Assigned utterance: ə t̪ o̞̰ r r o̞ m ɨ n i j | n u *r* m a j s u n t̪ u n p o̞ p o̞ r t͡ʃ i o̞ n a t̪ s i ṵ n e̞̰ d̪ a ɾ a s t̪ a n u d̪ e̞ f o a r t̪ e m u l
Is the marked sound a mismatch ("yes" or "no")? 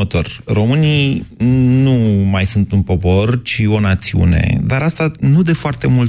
yes